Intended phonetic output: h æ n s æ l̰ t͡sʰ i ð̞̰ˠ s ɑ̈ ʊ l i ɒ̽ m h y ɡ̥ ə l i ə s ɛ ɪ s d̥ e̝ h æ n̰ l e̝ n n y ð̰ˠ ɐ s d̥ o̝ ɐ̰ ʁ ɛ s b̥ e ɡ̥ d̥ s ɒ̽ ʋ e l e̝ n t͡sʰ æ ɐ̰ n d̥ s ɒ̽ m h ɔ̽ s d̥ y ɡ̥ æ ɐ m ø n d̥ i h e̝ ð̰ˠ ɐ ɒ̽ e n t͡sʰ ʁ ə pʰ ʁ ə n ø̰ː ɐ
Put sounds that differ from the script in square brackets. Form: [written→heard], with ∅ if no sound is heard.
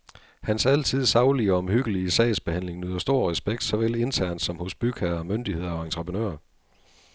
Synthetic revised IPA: h æ n s æ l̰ t͡sʰ i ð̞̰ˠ s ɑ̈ ʊ l i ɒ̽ m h y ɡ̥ ə l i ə s ɛ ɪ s [d̥→b̥] e̝ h æ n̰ l e̝ [n→ŋ] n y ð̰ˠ ɐ s d̥ o̝ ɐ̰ ʁ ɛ s b̥ e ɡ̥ d̥ s ɒ̽ ʋ e l e̝ n t͡sʰ æ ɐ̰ n d̥ s ɒ̽ m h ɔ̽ s [d̥→b̥] y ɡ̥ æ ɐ m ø n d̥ i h e̝ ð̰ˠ ɐ ɒ̽ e n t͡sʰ ʁ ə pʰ ʁ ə n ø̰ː ɐ